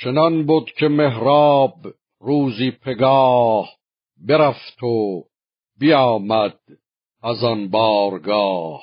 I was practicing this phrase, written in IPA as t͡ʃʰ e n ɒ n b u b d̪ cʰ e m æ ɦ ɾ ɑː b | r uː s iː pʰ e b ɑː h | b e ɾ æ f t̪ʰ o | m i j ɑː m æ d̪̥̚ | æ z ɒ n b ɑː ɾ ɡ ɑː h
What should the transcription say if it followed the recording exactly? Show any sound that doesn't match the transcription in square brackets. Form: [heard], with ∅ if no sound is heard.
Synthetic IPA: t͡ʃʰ e n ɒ n b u [∅] d̪ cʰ e m [e] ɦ ɾ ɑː b | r uː [z] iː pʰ e [ɡ] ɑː h | b e ɾ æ f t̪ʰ o | [b] i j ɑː m æ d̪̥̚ | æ z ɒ n b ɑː ɾ ɡ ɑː h